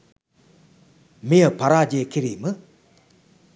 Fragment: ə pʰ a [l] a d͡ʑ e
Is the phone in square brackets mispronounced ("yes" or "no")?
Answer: yes